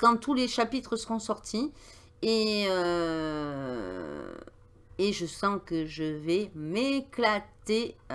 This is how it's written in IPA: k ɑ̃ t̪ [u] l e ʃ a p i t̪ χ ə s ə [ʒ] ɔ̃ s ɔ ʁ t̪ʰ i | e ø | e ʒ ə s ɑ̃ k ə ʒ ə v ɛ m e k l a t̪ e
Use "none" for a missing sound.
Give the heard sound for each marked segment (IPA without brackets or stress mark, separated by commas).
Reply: u, ʁ